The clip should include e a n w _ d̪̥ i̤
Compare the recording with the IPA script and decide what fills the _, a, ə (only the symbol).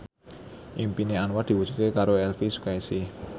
a